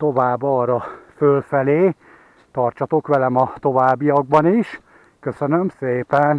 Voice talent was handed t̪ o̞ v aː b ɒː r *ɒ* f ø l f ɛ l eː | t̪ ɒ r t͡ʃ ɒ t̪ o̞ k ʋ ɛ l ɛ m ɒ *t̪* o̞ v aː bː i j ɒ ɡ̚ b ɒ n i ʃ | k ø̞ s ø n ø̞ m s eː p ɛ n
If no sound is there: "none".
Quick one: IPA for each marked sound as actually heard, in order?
ɒ, t̪

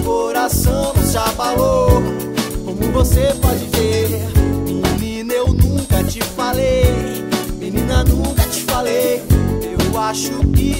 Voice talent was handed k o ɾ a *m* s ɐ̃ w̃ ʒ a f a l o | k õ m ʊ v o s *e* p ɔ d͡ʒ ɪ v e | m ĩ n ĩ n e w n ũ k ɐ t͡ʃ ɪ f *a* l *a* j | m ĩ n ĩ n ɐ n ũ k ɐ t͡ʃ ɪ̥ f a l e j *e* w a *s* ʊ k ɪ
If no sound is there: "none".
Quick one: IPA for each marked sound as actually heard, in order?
none, e, a, e, e, ʃ

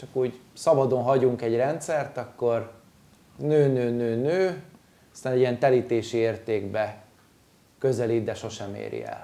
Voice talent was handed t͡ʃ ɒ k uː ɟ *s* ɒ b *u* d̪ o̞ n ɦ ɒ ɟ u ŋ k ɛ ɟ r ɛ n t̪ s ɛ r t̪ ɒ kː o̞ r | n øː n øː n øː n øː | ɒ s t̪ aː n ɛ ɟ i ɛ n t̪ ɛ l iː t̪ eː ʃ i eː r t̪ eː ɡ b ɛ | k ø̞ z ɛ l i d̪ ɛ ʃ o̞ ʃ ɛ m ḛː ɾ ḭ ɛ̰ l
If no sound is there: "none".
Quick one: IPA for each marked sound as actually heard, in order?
s, ɒ

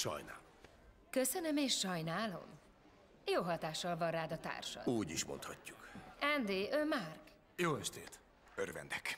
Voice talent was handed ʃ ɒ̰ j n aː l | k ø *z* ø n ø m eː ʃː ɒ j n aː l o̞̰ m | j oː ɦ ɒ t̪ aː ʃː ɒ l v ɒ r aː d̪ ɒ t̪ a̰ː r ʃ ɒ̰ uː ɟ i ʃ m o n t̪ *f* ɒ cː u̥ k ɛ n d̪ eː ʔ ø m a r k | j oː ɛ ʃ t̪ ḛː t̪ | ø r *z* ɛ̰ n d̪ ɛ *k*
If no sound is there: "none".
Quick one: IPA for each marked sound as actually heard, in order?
s, h, v, k

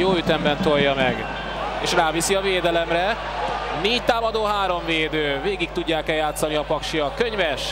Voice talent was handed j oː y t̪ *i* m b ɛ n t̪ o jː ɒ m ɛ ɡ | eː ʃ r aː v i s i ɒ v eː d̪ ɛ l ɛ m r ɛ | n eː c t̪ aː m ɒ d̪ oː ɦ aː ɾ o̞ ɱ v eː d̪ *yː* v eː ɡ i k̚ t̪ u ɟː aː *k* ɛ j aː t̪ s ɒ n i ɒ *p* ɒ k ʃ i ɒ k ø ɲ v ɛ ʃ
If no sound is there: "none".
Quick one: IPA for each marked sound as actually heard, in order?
ɛ, øː, k, p

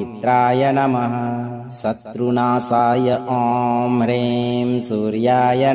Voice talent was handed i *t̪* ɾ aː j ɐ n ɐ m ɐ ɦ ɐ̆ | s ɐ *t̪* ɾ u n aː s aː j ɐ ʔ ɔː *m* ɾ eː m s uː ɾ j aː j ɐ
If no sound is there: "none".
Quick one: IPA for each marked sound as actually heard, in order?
t̪, t̪, m

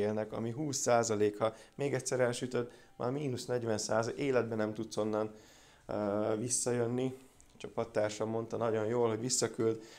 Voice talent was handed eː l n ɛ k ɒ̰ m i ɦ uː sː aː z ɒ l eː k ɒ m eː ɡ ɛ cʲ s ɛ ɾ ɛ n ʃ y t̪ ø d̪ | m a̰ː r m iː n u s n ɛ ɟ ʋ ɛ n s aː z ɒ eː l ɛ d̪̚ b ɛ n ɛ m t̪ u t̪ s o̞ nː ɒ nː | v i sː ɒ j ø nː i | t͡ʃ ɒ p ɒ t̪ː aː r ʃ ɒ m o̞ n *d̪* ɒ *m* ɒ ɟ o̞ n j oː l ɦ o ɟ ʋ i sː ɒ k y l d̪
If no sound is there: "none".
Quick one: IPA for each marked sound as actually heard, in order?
t̪, n

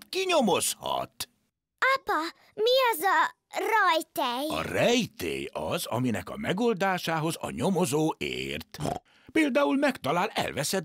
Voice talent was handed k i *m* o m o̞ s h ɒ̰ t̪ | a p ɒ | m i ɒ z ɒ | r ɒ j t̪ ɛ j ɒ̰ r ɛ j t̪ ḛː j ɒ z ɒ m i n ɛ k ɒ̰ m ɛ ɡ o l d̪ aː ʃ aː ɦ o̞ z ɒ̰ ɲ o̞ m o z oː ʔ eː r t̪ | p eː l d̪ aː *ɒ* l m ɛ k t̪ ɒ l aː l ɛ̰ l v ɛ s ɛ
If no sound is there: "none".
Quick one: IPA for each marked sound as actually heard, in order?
ɲ, u

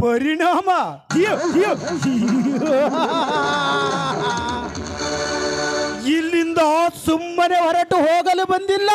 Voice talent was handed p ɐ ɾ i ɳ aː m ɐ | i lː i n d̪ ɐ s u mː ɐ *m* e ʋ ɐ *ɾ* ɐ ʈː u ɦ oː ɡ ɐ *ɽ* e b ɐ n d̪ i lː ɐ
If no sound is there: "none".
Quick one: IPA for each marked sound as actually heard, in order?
n, ɾ, l

